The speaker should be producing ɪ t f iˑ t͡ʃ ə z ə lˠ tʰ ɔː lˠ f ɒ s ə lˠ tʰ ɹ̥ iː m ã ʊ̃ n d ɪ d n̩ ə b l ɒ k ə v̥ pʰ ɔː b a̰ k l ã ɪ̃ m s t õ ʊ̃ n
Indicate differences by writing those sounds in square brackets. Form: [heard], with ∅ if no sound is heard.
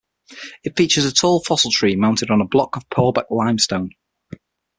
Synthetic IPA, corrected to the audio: ɪ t f iˑ t͡ʃ ə z ə [∅] tʰ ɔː lˠ f ɒ s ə lˠ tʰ ɹ̥ iː m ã ʊ̃ n [t] ɪ d n̩ ə b l ɒ k ə v̥ pʰ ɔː b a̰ k l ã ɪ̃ m s t õ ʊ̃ n